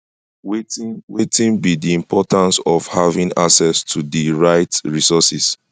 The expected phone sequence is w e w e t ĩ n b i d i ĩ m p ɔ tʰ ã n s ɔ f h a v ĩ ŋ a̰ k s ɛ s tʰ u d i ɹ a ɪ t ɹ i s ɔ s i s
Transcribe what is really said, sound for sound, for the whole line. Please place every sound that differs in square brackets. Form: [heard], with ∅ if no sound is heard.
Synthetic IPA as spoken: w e w e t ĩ n b i d i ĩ m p ɔ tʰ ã n s ɔ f h a v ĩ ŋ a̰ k s ɛ s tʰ u d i ɹ a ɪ t ɹ i s ɔ s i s